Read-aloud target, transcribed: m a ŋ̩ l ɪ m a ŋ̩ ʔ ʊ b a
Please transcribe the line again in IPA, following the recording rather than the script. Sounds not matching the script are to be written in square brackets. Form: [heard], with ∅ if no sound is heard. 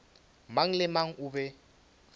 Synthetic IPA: m a ŋ̩ l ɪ m a ŋ̩ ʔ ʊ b [ɛ]

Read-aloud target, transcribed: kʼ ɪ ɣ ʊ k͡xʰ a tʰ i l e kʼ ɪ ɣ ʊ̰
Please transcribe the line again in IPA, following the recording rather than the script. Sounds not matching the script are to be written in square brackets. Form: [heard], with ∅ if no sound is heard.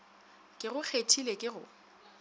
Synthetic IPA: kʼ ɪ ɣ ʊ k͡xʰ [e] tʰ i l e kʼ ɪ ɣ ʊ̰

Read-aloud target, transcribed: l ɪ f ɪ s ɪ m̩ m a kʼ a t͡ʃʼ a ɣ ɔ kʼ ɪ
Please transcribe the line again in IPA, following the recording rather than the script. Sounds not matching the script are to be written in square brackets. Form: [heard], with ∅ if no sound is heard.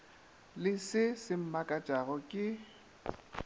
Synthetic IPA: l ɪ [s] ɪ s ɪ m̩ m a kʼ a t͡ʃʼ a ɣ ɔ kʼ ɪ

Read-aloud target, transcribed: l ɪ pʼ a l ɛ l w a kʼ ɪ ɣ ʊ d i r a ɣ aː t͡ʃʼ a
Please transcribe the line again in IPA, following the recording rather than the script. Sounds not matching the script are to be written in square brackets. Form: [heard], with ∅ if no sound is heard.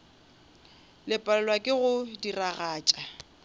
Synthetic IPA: l ɪ pʼ a l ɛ l w a kʼ ɪ ɣ ʊ d i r a ɣ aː t͡ʃʼ a

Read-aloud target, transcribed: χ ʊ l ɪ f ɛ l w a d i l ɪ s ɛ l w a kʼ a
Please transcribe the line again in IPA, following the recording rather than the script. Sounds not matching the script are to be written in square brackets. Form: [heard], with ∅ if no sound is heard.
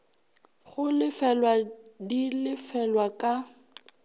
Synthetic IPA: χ ʊ l ɪ f ɛ l w a d i l ɪ [f] ɛ l w a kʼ a

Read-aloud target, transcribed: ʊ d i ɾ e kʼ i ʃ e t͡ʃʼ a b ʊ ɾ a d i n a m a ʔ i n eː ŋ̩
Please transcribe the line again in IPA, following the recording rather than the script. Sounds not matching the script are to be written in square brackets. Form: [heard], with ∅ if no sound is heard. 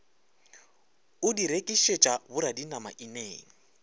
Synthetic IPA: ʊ d i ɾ e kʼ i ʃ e t͡ʃʼ a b ʊ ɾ a d i n a m a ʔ i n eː ŋ̩

